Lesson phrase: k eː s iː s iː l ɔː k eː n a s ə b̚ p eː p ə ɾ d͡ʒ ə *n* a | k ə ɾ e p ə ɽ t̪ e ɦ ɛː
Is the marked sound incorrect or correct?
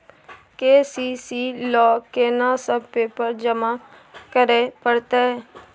incorrect